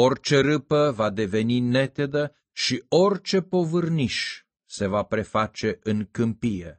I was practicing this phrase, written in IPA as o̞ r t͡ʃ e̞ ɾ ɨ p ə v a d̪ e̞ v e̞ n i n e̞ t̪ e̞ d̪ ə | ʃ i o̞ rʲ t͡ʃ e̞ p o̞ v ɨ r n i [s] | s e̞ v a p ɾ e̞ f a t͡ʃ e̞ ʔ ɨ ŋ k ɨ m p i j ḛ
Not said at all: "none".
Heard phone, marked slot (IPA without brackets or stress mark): ʃ